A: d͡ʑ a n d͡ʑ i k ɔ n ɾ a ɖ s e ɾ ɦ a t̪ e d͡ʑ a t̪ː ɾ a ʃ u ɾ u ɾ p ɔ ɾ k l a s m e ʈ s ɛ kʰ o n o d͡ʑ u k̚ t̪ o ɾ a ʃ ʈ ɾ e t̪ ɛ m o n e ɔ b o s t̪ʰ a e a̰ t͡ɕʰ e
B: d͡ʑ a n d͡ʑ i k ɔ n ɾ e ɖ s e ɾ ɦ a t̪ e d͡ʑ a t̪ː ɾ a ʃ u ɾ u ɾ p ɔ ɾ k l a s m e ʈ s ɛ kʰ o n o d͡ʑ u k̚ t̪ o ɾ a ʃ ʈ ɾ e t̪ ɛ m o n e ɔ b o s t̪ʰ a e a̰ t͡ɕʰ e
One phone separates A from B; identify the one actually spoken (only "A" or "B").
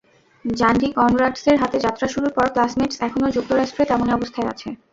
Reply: A